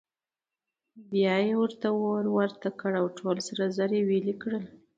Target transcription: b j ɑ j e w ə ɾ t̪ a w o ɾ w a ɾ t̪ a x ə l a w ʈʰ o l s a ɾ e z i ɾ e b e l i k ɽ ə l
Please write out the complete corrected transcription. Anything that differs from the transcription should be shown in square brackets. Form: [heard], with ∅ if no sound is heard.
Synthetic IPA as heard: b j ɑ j e w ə ɾ t̪ a w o ɾ w a ɾ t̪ a [k] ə [ɽ] a w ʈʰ o l s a ɾ [a] z [a] ɾ e [w] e l i k ɽ ə l